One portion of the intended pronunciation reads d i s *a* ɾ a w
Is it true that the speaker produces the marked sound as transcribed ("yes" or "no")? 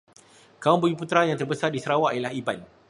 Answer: no